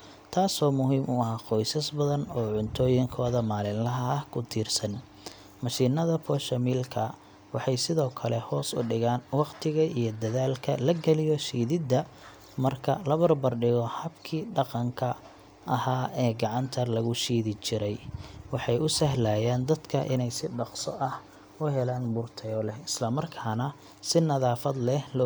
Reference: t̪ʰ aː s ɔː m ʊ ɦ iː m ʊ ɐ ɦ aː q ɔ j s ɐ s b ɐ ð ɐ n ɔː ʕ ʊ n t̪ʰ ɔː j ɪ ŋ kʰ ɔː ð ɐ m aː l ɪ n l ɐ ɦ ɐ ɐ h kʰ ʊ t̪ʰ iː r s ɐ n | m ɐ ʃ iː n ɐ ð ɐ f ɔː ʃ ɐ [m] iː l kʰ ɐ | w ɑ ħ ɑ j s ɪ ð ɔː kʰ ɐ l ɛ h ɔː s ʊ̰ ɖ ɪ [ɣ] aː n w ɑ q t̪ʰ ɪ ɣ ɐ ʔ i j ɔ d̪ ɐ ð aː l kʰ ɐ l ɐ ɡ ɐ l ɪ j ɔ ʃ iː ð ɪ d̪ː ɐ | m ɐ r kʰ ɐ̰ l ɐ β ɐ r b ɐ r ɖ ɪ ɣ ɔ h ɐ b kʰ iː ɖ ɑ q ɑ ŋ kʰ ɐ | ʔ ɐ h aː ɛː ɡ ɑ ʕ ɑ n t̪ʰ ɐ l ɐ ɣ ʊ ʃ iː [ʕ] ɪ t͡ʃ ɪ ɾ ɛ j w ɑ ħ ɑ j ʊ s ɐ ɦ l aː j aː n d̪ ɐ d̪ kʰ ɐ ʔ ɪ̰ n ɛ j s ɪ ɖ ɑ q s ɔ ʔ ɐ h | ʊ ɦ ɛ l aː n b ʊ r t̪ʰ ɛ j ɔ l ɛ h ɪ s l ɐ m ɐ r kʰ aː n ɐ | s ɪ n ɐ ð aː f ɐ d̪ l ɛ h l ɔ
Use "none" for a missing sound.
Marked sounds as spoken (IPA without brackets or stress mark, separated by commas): m, ɣ, ð